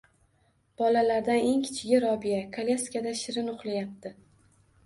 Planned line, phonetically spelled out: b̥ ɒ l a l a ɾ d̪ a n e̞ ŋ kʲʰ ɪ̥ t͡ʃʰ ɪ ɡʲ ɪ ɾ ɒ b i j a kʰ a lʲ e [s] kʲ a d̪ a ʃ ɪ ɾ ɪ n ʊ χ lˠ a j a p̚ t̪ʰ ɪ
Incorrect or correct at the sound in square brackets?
correct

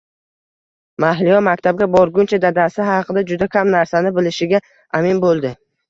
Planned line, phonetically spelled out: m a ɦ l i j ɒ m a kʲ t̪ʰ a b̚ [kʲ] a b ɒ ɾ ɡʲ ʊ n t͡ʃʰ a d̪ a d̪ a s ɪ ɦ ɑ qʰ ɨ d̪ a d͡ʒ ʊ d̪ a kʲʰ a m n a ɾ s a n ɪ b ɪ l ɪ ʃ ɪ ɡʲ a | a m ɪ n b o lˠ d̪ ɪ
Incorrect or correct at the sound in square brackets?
incorrect: ɡʲ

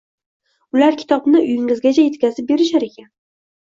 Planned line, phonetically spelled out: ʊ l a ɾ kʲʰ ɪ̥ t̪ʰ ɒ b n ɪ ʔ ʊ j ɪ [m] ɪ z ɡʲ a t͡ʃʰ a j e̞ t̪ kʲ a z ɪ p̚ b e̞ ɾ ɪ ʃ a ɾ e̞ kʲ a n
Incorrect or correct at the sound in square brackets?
incorrect: ŋ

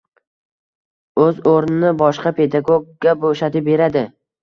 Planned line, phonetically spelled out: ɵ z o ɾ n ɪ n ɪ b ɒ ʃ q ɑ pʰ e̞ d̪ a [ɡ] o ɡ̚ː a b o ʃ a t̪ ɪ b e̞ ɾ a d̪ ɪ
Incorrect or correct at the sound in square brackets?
correct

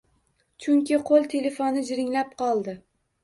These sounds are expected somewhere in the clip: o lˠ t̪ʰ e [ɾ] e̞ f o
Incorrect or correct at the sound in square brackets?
incorrect: l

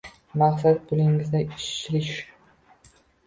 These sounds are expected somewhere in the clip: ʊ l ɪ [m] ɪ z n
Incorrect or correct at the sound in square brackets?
incorrect: ŋ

